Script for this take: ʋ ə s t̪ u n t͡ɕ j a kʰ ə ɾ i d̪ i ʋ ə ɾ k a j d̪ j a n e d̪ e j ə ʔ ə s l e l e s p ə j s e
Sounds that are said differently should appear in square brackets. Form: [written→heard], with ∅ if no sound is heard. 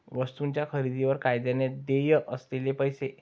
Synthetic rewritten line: ʋ ə s t̪ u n t͡ɕ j a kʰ ə ɾ i d̪ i ʋ ə ɾ k a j d̪ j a n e d̪ e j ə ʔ ə s l e l e [s→∅] p ə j s e